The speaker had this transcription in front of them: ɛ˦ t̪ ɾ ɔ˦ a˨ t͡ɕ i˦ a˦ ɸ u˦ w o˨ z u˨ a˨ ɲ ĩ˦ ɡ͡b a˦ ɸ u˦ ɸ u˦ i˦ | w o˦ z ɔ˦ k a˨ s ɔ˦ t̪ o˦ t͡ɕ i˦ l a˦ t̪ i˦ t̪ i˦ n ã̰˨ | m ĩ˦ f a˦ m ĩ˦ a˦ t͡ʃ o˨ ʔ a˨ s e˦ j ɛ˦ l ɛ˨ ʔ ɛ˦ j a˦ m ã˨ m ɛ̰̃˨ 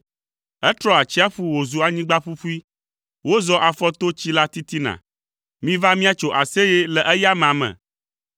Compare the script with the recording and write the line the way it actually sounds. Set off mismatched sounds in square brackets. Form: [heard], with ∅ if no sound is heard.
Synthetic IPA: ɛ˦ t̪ ɾ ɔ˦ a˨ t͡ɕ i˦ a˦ ɸ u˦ w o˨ z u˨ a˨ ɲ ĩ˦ ɡ͡b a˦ ɸ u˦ ɸ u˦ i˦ | w o˦ z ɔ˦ [ʔ] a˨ [f] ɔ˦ t̪ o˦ t͡ɕ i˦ l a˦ t̪ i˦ t̪ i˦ n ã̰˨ | m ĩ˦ [v] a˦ m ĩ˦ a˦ t͡ʃ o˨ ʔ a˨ s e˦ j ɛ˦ l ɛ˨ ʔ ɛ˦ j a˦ m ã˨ m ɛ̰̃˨